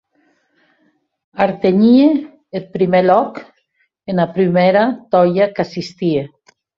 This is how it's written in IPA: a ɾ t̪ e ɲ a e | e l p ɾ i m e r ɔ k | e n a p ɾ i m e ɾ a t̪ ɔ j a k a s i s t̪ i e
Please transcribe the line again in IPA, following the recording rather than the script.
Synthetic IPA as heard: a ɾ t̪ e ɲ i e | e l p ɾ i m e l ɔ k | e n a p ɾ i m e ɾ a t̪ ɔ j a k a s i s t̪ i e